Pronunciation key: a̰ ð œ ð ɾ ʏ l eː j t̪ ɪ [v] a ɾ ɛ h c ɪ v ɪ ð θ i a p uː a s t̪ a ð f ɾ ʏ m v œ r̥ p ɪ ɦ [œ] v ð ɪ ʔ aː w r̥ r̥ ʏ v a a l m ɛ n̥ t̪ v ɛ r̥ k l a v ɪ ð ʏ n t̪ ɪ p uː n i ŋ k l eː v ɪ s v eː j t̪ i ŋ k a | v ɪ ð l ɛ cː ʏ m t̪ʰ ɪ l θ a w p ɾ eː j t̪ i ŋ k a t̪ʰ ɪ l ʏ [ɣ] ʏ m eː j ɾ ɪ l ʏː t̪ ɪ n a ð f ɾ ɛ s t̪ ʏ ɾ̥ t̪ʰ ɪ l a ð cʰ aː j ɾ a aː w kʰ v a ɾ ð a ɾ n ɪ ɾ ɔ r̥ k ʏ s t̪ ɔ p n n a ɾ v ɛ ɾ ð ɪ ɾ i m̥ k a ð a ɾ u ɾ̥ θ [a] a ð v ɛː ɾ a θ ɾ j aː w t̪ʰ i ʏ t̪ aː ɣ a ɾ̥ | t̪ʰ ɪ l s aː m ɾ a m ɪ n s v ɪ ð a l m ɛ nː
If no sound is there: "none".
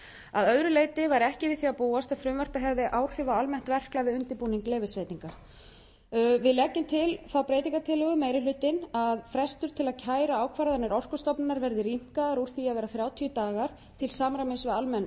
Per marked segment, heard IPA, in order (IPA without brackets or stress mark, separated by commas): v, ɛ, ɣ, i